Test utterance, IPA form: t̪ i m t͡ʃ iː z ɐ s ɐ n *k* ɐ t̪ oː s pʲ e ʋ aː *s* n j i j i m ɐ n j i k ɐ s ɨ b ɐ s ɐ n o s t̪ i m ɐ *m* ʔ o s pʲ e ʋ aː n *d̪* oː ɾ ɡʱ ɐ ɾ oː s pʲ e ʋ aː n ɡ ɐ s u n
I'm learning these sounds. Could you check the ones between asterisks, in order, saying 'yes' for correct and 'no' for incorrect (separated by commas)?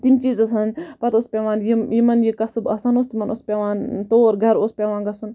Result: no, no, no, no